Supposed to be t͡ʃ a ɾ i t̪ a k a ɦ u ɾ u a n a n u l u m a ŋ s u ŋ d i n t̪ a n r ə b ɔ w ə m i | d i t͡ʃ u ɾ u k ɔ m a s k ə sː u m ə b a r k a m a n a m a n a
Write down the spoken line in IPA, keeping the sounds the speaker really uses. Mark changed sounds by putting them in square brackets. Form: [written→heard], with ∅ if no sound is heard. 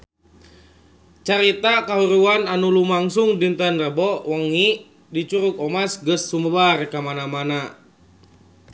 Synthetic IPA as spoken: t͡ʃ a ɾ i t̪ a k a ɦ u ɾ u a n a n u l u m a ŋ s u ŋ d i n t̪ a n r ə b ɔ w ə [m→ŋ] i | d i t͡ʃ u ɾ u k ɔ m a s [k→ɡ] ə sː u m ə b a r k a m a n a m a n a